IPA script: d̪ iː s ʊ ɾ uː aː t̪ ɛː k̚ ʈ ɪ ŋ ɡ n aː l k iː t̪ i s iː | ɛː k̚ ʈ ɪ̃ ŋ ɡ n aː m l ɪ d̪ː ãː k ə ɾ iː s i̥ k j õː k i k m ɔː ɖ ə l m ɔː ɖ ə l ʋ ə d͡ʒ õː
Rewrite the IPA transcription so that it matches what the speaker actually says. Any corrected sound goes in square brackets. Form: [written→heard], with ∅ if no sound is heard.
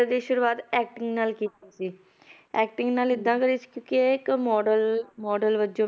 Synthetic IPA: d̪ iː [s→ʃ] ʊ ɾ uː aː t̪ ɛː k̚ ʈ ɪ ŋ ɡ n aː l k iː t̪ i s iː | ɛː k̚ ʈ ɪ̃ ŋ ɡ n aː [m→∅] l ɪ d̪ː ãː k ə ɾ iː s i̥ k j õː k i k m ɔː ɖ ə l m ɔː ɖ ə l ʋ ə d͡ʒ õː